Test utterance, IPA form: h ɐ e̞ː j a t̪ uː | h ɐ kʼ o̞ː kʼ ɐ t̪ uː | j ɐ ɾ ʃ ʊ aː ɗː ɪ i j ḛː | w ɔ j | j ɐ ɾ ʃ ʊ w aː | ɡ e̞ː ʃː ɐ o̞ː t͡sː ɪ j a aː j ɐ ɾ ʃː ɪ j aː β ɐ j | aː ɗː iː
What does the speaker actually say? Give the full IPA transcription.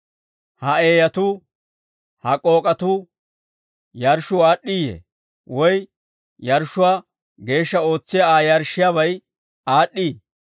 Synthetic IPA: h ɐ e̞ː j ɐ t̪ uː | h ɐ kʼ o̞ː kʼ ɐ t̪ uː | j ɐ ɾ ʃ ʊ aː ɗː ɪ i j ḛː | w ɔ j | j ɐ ɾ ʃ ʊ w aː | ɡ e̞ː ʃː ɐ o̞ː t͡sː ɪ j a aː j ɐ ɾ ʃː ɪ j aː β ɐ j | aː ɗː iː